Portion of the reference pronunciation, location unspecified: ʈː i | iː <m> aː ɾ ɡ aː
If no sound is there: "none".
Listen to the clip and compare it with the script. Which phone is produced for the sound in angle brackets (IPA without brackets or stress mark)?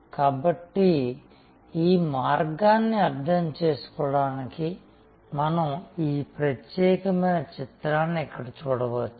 m